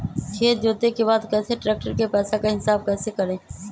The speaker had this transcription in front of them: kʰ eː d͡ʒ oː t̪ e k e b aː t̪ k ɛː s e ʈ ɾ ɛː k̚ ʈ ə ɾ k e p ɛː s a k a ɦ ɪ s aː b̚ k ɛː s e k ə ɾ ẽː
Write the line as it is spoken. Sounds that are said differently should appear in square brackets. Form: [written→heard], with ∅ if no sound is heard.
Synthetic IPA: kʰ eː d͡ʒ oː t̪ e k e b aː [t̪→d̪] k ɛː s e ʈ ɾ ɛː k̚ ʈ ə ɾ k e p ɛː s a k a ɦ ɪ s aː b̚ k ɛː s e k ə ɾ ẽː